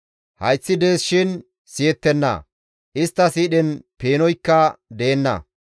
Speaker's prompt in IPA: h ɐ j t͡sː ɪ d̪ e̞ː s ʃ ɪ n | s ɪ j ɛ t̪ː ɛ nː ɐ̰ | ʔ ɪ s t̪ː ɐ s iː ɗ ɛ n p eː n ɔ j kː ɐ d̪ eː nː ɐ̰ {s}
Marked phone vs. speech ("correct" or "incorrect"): incorrect